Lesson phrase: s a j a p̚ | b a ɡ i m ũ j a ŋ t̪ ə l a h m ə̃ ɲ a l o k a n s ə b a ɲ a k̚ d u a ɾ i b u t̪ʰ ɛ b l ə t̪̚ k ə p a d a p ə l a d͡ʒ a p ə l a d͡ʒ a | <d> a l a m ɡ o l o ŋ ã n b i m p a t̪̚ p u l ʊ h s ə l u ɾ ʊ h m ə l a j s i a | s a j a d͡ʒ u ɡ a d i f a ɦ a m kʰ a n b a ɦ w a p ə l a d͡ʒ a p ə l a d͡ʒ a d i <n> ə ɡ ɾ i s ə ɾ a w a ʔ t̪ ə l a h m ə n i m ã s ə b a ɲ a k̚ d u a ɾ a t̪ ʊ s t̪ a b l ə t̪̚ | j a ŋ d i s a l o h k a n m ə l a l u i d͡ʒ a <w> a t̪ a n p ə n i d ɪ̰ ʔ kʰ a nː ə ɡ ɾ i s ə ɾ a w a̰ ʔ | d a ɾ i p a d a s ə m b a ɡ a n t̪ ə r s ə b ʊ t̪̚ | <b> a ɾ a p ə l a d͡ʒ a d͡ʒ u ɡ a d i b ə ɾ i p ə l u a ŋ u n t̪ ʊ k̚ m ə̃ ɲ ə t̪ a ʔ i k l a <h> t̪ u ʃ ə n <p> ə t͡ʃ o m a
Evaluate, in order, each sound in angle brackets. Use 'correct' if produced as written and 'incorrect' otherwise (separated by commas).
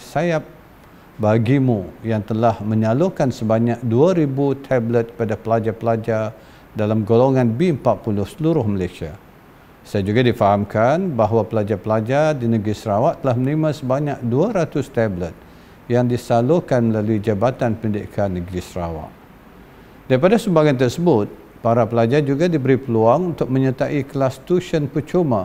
correct, correct, incorrect, incorrect, incorrect, correct